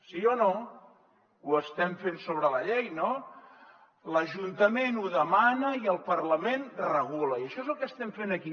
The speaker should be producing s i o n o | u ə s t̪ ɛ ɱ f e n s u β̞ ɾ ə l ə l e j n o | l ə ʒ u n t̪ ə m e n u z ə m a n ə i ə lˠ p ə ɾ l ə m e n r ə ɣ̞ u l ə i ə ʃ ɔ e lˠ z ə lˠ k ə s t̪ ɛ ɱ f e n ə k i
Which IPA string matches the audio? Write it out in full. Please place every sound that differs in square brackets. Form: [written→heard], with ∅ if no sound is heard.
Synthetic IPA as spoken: s i o n o | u ə s t̪ ɛ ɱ f e n s [u→o] β̞ ɾ ə l ə [l→ʎ] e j n o | l ə ʒ u n t̪ ə m e n u [z→ð] ə m a n ə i ə lˠ p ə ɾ l ə m e n r ə ɣ̞ u l ə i ə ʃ ɔ e [lˠ→∅] z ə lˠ k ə s t̪ ɛ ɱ f e n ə k i